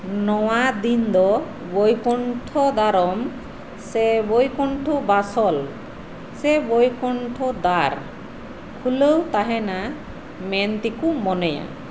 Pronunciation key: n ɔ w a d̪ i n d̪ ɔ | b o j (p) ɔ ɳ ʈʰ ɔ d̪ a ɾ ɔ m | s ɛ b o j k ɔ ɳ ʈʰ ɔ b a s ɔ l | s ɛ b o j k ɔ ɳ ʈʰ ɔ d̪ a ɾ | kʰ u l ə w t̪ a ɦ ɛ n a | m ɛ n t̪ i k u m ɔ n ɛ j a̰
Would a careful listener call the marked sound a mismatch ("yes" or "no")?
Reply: yes